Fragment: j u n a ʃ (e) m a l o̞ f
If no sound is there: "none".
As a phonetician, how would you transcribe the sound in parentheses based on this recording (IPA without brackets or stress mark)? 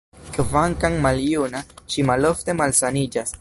i